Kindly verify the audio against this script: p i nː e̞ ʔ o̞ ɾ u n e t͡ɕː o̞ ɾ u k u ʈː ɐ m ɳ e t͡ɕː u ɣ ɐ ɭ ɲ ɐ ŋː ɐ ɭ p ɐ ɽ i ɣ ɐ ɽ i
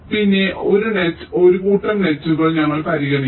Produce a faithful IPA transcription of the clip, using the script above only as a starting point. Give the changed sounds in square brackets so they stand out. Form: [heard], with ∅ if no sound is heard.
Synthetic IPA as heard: p i nː e̞ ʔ o̞ ɾ u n e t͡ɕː o̞ ɾ u k [uː] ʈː ɐ m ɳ e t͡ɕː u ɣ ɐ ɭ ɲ ɐ ŋː ɐ ɭ p ɐ [ɾ] i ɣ ɐ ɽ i

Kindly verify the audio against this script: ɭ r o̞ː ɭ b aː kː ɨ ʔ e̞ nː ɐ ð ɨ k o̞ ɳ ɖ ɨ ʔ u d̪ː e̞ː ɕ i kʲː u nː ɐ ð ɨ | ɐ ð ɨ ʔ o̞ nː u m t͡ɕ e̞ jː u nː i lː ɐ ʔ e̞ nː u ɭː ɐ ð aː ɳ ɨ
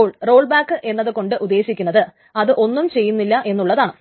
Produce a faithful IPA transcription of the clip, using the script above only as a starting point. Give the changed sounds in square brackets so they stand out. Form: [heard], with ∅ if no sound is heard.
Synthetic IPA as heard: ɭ r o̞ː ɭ b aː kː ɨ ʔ e̞ nː ɐ ð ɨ k o̞ ɳ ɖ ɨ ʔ u d̪ː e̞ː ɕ i kʲː u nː ɐ ð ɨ | ɐ ð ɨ ʔ o̞ nː u m t͡ɕ e̞ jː u nː i lː ɐ ʔ e̞ nː u ɭː ɐ ð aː ɳ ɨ

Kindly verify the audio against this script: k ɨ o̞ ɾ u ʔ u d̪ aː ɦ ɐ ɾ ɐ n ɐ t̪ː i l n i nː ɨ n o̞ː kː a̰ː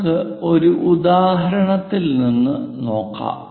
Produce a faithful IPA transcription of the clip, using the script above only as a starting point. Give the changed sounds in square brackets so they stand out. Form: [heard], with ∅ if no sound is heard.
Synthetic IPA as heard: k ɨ o̞ ɾ u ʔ u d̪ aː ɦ ɐ ɾ ɐ [ɳ] ɐ t̪ː i l n i nː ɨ n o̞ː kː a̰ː

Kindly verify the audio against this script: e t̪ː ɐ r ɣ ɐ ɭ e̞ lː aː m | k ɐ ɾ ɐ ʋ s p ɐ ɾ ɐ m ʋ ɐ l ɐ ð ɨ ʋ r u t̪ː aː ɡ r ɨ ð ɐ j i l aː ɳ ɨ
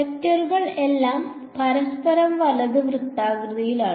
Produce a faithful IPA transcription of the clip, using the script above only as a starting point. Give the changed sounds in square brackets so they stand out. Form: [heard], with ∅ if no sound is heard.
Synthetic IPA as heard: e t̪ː ɐ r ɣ ɐ ɭ e̞ lː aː m | [p] ɐ ɾ ɐ [∅] s p ɐ ɾ ɐ m ʋ ɐ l ɐ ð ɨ ʋ r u t̪ː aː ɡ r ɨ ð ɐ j i l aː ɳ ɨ

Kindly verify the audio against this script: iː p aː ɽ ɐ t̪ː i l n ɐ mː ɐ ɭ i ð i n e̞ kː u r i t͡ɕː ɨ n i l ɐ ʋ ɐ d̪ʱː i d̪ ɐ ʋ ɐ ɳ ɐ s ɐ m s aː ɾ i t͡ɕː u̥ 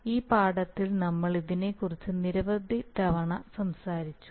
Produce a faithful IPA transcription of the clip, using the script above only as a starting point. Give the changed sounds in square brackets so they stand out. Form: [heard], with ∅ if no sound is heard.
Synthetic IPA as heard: iː p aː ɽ ɐ t̪ː i l n ɐ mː ɐ ɭ i ð i n e̞ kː u r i t͡ɕː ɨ n i [ɾ] ɐ ʋ ɐ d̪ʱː i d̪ ɐ ʋ ɐ ɳ ɐ s ɐ m s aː ɾ i t͡ɕː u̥

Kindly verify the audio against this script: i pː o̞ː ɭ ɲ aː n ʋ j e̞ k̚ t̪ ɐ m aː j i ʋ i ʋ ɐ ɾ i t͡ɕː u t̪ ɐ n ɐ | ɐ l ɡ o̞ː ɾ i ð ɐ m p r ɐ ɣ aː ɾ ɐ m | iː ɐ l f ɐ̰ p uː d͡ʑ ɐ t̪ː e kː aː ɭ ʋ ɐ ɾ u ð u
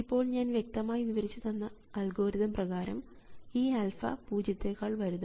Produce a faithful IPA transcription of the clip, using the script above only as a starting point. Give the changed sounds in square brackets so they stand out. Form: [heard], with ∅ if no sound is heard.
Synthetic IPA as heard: i pː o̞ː ɭ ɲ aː n ʋ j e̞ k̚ t̪ ɐ m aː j i ʋ i ʋ ɐ ɾ i t͡ɕː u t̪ ɐ [nː] ɐ | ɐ l ɡ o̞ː ɾ i ð ɐ m p r ɐ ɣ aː ɾ ɐ m | iː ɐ l f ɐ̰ p uː d͡ʑ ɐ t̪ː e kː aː ɭ ʋ ɐ ɾ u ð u

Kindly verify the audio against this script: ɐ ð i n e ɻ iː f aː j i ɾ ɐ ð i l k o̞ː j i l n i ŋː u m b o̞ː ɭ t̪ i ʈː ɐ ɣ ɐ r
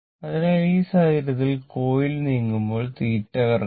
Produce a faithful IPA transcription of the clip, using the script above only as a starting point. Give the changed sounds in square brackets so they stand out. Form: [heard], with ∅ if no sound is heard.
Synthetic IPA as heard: ɐ ð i n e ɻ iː [s] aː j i ɾ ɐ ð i l k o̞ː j i l n [iː] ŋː u m b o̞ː ɭ t̪ [iː] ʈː ɐ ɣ ɐ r

